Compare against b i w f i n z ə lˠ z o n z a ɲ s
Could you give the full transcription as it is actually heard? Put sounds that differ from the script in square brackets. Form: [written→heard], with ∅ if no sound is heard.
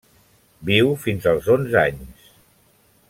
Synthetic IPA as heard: b i w f i n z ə lˠ z o n z a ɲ s